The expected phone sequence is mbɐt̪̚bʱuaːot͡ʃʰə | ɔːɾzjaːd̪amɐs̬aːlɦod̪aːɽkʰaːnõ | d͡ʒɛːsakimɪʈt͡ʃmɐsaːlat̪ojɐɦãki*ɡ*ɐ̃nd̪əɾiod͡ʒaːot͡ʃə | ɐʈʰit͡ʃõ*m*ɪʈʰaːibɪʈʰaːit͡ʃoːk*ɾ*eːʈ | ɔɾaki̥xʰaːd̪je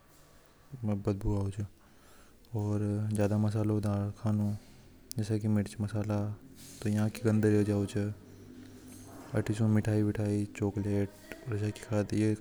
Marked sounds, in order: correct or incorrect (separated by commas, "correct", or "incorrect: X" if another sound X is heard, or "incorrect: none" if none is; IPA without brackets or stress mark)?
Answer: correct, correct, incorrect: l